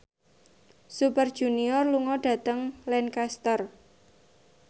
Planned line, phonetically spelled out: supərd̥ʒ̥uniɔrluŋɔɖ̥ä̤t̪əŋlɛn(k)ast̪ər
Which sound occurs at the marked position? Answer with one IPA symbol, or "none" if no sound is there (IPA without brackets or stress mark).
k